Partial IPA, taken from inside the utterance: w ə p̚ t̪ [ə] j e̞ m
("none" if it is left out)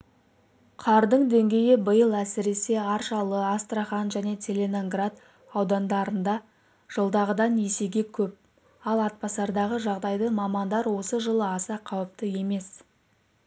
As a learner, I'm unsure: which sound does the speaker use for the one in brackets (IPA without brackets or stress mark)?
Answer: ə